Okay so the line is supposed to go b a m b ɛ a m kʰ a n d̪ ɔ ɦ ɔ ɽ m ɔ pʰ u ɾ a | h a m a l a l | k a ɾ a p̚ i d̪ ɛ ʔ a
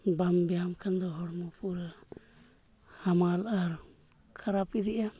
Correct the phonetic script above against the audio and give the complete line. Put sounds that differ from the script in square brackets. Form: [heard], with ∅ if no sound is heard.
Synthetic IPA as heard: b a m b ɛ a m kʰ a n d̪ ɔ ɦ ɔ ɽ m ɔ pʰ u ɾ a | h a m a l a [ɾ] | [kʰ] a ɾ a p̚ i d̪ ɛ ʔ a